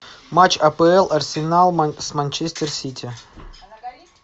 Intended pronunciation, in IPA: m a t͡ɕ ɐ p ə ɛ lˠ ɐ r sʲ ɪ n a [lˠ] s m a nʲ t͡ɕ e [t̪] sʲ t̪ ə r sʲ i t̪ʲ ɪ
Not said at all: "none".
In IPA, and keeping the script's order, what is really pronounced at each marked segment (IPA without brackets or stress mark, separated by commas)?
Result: lˠ, none